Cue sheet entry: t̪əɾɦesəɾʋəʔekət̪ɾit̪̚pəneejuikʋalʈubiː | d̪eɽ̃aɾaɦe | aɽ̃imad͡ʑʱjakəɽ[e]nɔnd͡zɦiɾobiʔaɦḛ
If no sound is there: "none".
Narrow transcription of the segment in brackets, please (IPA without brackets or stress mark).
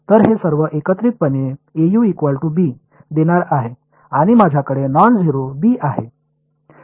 e